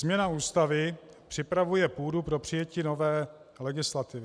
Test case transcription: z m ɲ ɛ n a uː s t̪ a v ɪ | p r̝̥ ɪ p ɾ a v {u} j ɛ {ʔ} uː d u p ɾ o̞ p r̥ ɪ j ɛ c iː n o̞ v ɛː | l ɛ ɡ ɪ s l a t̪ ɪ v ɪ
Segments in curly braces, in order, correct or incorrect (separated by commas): correct, incorrect